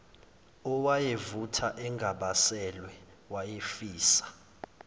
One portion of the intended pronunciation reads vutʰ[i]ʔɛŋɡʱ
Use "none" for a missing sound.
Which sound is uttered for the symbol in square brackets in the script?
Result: a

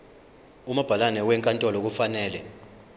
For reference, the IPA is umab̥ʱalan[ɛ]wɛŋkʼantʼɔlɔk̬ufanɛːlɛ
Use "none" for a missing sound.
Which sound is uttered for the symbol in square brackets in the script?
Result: ɛ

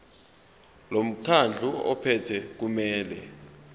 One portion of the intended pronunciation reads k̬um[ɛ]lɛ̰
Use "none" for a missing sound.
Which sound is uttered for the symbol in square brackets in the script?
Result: ɛː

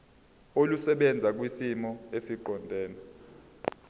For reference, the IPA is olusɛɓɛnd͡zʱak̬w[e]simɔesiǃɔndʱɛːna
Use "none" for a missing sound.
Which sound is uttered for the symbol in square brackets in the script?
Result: i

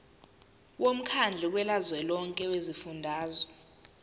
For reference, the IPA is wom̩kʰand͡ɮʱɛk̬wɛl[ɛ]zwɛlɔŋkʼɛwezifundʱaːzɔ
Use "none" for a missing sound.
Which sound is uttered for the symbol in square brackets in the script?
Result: a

